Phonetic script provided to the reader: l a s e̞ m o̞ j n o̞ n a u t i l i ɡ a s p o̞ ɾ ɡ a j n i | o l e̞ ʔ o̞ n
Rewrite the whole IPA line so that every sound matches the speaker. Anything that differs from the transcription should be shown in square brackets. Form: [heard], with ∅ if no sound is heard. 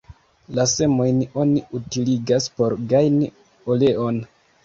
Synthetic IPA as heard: l a s e̞ m o̞ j n o̞ n [i] u t i l i ɡ a s p o̞ ɾ ɡ a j n i | o l e̞ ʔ o̞ n